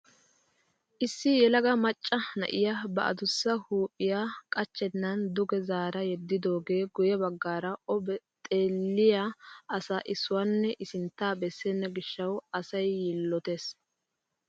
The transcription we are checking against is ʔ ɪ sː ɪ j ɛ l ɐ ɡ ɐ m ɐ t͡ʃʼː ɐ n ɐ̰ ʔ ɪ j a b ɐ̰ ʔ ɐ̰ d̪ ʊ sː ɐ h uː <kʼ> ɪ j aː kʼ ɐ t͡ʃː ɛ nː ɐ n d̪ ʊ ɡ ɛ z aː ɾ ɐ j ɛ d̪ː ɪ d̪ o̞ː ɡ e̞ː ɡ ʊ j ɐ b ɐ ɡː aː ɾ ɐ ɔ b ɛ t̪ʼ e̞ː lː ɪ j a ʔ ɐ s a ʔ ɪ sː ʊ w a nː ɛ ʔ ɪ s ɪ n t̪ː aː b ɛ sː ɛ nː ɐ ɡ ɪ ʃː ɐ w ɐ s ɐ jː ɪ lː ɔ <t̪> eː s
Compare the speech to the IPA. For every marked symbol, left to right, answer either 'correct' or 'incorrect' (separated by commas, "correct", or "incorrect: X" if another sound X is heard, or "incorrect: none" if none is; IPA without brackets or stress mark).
incorrect: pʼ, correct